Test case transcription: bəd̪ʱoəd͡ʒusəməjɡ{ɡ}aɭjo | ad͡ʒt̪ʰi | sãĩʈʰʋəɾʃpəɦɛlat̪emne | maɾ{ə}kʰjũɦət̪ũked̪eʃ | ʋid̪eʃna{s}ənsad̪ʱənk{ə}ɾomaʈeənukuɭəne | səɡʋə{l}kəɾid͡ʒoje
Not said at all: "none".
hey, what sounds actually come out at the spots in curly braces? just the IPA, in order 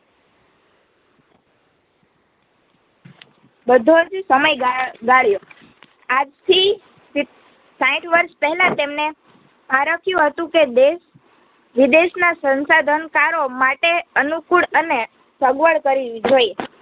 ɡ, ə, s, a, ɭ

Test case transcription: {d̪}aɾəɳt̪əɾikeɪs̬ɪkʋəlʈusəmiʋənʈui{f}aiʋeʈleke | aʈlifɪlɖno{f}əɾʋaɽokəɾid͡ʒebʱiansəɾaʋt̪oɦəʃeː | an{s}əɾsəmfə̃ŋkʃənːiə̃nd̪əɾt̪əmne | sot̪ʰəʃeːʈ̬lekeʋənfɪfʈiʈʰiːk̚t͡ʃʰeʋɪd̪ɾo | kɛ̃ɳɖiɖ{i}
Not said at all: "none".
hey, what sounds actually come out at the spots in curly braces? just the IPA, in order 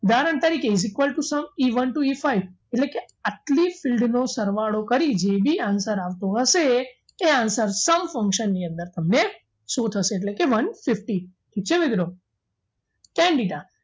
d̪, f, s, s, a

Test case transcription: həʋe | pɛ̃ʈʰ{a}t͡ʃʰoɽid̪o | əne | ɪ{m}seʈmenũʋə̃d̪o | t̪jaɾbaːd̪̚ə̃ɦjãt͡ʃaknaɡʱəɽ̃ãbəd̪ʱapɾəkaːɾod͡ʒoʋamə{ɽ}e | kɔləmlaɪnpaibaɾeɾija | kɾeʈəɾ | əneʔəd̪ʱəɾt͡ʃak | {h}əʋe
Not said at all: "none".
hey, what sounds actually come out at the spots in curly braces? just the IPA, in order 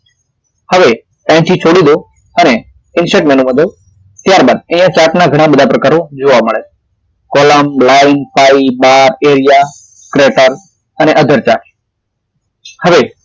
i, n, ɭ, h

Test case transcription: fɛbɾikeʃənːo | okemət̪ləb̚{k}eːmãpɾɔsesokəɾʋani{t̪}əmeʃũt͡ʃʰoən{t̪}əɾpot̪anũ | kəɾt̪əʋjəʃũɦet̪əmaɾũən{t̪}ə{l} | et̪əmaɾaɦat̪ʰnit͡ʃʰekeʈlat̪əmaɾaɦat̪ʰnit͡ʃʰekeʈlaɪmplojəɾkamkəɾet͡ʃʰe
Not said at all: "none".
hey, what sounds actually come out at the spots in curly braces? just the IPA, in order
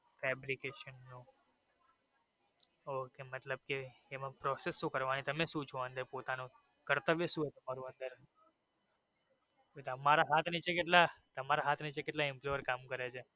k, t̪, d̪, d̪, ɾ

